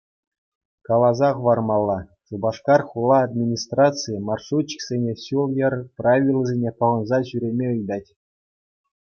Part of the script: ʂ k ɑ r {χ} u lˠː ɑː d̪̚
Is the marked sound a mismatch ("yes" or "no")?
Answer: no